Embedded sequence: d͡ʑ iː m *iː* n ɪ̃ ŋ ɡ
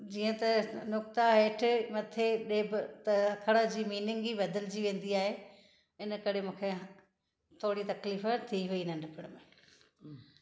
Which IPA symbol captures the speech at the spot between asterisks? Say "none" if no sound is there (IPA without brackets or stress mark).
iː